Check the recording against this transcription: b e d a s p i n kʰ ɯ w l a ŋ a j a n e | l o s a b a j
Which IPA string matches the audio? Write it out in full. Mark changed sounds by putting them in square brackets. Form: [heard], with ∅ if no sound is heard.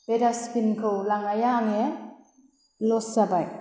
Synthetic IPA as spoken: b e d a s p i n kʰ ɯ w l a ŋ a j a [ŋ] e | l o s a b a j